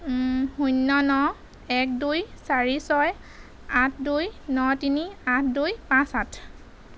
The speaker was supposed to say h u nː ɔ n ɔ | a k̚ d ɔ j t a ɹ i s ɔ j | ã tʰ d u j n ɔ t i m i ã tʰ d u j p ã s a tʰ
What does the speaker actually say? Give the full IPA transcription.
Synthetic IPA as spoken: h u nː ɔ n ɔ | ɛ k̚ d u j s a ɹ i s ɔ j | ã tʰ d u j n ɔ t i n i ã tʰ d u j p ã s a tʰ